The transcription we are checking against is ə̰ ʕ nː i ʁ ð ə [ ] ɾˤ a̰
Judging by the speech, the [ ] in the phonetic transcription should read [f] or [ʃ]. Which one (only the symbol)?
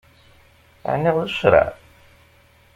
ʃ